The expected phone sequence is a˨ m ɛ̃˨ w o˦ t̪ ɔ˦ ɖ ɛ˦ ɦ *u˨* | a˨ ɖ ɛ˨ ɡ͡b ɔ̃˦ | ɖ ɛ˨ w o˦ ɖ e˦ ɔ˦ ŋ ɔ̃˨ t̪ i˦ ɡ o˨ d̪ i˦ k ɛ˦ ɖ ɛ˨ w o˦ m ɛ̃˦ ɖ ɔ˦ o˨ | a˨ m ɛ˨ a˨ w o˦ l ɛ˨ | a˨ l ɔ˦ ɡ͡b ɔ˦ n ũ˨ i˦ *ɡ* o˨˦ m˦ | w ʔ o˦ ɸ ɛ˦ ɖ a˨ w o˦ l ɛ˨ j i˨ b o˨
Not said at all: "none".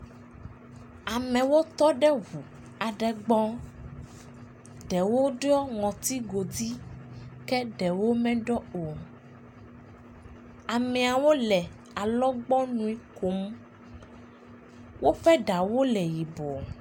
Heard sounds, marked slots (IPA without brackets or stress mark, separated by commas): u˨, k